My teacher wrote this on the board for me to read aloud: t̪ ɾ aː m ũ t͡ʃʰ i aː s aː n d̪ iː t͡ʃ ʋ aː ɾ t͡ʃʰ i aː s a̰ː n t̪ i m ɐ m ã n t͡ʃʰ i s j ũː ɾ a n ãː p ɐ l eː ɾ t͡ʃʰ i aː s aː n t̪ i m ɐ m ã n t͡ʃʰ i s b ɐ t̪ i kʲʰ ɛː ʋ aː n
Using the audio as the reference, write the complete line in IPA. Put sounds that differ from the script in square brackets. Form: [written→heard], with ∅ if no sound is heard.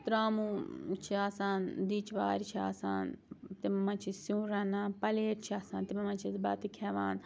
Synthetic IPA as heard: t̪ ɾ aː m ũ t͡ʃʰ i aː s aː n d̪ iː t͡ʃ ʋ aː ɾ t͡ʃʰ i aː s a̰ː n t̪ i m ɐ m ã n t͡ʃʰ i s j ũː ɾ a n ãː p ɐ l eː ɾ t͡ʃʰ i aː s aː n t̪ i m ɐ m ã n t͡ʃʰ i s b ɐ t̪ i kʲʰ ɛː ʋ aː n